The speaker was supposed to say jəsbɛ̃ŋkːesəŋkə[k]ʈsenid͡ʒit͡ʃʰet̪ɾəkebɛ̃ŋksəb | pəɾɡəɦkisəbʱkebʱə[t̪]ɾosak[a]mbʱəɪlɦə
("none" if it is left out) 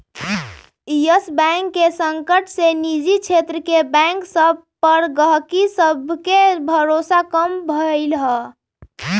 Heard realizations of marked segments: none, none, ə

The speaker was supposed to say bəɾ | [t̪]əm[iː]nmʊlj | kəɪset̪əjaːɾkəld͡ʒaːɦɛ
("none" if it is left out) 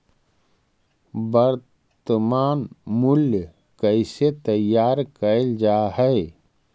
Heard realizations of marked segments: t̪, aː

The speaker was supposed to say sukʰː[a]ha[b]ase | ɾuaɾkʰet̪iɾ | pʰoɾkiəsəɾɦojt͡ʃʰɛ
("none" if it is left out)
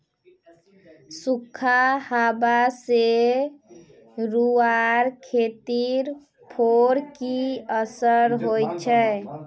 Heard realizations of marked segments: a, b

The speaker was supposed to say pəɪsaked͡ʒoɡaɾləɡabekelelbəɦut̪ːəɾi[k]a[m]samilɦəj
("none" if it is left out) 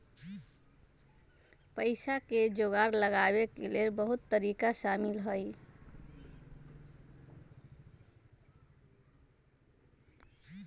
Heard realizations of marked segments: k, none

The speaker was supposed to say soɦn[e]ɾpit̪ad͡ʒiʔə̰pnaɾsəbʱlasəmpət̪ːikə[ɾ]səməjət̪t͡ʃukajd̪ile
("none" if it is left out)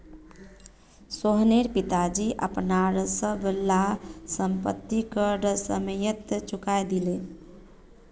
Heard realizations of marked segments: e, ɾ

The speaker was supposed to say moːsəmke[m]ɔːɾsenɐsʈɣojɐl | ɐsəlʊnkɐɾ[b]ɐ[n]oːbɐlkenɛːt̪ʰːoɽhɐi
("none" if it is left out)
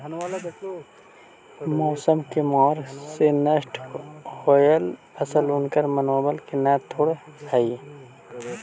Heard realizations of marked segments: m, m, n

